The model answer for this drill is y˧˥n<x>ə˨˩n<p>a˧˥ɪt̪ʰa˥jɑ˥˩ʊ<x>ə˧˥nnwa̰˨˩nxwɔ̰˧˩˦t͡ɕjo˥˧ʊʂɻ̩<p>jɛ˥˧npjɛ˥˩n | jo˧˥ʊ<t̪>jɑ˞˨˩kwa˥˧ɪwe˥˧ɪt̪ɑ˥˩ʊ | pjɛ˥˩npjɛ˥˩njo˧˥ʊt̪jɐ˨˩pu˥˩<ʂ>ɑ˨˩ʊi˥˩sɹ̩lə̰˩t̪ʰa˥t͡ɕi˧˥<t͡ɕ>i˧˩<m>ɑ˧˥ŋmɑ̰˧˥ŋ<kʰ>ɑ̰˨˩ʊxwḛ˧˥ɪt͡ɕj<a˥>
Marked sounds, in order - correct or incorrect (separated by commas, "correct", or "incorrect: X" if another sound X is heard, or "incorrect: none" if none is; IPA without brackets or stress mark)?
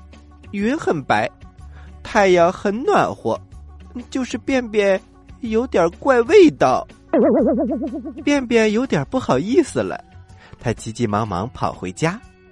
correct, correct, correct, correct, correct, incorrect: x, correct, correct, incorrect: pʰ, correct